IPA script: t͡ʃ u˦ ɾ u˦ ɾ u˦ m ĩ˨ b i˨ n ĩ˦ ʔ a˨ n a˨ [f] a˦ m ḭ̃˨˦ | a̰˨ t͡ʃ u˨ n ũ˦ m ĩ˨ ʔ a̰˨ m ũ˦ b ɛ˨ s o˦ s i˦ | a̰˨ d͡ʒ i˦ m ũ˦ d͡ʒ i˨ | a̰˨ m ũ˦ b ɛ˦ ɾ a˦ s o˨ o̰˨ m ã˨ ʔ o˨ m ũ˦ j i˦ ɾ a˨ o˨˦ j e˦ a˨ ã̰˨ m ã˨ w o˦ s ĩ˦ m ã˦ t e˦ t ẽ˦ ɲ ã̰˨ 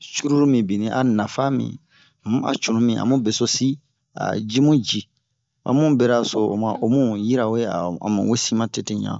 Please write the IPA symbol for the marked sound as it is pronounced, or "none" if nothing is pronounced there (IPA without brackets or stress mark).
f